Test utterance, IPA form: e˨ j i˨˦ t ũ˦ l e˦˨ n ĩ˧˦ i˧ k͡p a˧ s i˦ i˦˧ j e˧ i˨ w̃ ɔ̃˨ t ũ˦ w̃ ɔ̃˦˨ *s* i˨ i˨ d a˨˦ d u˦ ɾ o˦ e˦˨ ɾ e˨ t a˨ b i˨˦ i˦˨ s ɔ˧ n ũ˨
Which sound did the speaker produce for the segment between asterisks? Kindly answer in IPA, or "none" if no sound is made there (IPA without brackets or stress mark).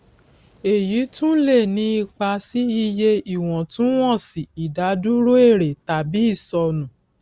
s